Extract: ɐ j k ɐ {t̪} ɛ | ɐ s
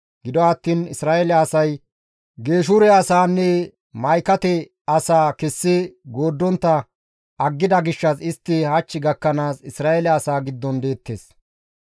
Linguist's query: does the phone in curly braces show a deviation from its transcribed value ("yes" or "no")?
no